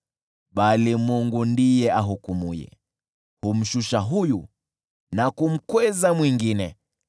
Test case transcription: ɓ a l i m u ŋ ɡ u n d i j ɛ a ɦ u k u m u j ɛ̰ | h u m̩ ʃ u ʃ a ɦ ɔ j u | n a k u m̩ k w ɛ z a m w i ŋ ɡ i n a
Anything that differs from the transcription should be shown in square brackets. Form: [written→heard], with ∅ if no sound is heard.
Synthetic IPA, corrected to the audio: ɓ a l i m u ŋ ɡ u n d i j ɛ a ɦ u k u m u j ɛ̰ | h u m̩ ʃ u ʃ a ɦ [ɔ→u] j u | n a k u m̩ k w ɛ z a m w i ŋ ɡ i n [a→ɛ]